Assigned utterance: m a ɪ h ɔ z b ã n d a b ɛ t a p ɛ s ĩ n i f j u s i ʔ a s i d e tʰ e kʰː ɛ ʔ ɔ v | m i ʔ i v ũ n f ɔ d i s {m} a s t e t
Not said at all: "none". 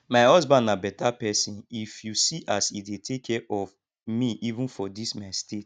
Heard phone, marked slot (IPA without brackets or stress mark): m